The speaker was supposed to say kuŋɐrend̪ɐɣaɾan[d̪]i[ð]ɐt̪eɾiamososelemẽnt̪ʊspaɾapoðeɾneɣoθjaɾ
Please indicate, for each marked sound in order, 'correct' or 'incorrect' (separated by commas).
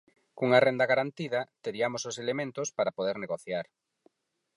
incorrect, correct